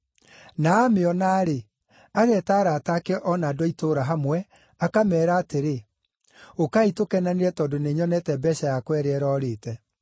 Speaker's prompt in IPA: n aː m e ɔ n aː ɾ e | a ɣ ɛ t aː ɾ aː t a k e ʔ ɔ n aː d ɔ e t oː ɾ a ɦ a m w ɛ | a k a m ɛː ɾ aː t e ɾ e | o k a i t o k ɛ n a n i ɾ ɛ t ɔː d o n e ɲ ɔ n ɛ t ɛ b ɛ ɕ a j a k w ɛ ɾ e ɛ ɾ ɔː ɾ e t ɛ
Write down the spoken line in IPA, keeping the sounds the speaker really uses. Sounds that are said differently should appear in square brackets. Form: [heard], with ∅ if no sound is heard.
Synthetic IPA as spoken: n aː m e ɔ n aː ɾ e | a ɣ ɛ t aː ɾ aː t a k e ʔ ɔ n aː d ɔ [i] t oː ɾ a ɦ a m w ɛ | a k a m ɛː ɾ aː t e ɾ e | o k a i t o k ɛ n a n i ɾ ɛ t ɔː d o n e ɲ ɔ n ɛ t ɛ b ɛ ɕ a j a k w ɛ ɾ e ɛ ɾ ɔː ɾ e t ɛ